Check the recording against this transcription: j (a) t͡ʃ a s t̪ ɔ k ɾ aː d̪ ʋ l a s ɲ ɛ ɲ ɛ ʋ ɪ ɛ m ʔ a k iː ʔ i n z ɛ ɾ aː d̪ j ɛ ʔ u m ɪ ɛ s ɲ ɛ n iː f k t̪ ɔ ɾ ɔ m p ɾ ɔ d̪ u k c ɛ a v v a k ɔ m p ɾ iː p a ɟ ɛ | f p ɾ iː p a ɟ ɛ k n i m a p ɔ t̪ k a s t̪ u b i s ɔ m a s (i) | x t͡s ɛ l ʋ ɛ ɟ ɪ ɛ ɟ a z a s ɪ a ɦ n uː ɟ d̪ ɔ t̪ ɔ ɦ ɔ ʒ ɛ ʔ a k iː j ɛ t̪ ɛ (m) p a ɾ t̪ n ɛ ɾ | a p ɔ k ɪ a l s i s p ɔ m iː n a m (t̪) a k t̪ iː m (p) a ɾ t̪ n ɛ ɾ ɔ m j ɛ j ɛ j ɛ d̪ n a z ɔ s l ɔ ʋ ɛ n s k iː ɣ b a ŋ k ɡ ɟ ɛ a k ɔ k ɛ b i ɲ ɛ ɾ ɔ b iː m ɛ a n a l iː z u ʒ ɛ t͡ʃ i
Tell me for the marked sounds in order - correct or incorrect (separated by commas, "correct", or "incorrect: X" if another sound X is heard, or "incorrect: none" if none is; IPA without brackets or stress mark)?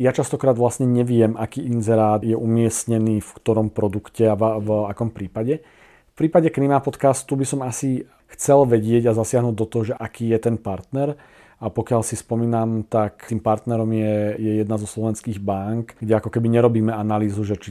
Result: correct, correct, incorrect: n, correct, correct